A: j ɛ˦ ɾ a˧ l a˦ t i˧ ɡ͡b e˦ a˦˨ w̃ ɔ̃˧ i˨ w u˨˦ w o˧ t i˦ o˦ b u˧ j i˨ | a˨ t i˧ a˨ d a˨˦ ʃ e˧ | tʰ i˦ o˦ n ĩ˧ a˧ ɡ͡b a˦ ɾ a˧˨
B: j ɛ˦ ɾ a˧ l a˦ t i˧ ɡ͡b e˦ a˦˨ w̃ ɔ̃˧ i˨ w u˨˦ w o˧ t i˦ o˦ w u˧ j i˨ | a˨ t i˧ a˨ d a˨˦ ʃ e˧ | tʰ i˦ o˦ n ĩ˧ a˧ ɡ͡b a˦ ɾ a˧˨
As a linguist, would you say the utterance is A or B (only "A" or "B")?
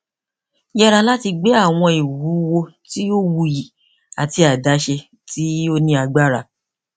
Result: B